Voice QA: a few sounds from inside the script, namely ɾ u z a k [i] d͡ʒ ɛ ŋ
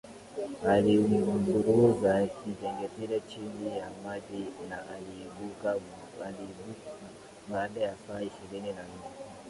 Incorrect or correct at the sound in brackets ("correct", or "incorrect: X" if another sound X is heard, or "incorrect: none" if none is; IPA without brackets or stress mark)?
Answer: correct